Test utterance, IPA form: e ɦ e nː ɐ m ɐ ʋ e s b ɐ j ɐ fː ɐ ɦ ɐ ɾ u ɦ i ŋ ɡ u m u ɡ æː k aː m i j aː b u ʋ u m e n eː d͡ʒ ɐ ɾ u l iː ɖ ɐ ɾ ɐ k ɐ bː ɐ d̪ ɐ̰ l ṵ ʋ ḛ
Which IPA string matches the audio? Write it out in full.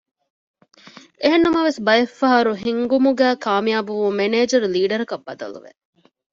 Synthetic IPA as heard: e ɦ e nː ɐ m ɐ ʋ e s b ɐ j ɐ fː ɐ ɦ ɐ ɾ u ɦ i ŋ ɡ u m u ɡ æː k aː m i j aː b u ʋ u m e n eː d͡ʒ ɐ ɾ u l iː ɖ ɐ ɾ ɐ k ɐ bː ɐ d̪ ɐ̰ l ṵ ʋ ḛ